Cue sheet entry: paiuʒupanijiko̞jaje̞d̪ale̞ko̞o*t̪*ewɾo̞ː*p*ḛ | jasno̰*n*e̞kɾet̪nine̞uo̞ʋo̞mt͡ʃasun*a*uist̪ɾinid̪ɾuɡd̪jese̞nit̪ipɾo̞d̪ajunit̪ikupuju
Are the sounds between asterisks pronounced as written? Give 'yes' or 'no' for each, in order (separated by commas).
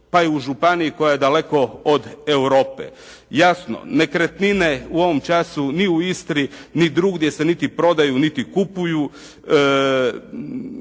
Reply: no, yes, yes, no